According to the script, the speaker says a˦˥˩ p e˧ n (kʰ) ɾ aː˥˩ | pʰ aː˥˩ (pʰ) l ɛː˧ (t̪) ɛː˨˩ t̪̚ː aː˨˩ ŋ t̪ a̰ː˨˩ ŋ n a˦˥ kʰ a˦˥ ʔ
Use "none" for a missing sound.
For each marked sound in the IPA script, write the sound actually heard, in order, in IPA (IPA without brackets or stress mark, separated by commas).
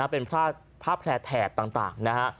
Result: pʰ, pʰ, t̪ʰ